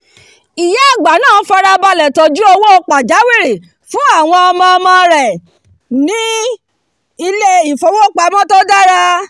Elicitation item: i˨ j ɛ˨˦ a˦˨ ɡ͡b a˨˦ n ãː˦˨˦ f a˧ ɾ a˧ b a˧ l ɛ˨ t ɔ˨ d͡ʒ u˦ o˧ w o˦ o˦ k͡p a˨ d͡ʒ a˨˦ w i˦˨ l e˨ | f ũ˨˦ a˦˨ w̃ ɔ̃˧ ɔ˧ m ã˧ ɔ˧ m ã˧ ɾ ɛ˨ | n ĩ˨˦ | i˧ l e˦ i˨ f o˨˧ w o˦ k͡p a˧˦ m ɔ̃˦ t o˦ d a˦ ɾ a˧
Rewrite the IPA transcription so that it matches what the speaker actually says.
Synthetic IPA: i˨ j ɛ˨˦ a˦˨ ɡ͡b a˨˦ n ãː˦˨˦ f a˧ ɾ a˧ b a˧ l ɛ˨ t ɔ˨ d͡ʒ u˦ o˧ w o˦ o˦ k͡p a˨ d͡ʒ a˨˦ w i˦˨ ɾ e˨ | f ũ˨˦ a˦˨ w̃ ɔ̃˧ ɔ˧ m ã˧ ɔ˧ m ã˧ ɾ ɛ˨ | n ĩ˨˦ | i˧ l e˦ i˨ f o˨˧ w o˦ k͡p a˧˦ m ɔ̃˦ t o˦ d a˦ ɾ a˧